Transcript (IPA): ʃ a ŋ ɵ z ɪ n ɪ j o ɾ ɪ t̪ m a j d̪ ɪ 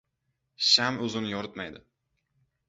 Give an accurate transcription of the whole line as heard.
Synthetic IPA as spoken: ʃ a m ɵ z ɪ n ɪ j ɒ ɾ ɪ t̪ m a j d̪ ɪ